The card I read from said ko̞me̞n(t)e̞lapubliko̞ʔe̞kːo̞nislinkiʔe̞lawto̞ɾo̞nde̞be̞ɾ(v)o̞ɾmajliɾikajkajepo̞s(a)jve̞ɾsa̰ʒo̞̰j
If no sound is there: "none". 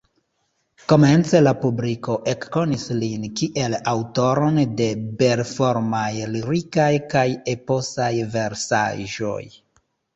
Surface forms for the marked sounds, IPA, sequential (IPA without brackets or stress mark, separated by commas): t͡s, f, a